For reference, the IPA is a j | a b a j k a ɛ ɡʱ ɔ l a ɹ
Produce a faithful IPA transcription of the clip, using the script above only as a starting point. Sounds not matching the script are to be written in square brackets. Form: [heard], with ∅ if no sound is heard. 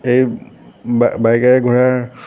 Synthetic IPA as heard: [e] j | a b a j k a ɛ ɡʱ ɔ [ɹ] a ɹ